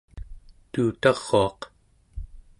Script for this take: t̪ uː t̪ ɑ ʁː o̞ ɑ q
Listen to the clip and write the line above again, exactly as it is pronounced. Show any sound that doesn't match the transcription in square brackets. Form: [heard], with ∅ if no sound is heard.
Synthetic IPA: t̪ uː t̪ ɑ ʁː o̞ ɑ q